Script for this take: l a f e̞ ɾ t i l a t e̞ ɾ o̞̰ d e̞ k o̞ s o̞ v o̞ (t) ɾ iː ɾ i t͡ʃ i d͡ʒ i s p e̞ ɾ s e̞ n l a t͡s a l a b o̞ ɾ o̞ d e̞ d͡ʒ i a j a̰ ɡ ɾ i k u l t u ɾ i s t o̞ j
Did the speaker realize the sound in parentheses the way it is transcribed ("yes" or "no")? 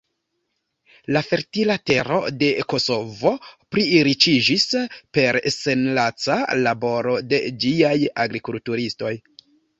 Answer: no